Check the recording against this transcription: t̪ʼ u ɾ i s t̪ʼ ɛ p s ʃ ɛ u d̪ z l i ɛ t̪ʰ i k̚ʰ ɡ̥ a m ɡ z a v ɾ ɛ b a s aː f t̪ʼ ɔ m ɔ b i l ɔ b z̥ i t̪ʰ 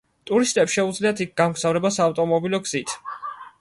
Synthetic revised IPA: t̪ʼ u ɾ i s t̪ʼ ɛ p s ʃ ɛ u d̪ z l i a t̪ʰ i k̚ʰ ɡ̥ a m ɡ z a v ɾ ɛ b a s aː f t̪ʼ ɔ m ɔ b i l ɔ ɡ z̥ i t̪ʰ